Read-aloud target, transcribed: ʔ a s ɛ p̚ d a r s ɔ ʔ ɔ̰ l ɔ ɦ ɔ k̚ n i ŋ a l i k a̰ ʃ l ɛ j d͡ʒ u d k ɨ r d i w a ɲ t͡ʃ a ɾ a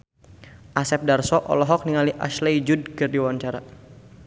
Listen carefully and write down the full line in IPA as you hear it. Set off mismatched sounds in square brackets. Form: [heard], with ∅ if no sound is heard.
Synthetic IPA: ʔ a s ɛ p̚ d a r s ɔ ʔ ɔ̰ l ɔ ɦ ɔ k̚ n i ŋ a l i [ʔ] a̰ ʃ l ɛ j d͡ʒ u d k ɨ r d i w a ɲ t͡ʃ a ɾ a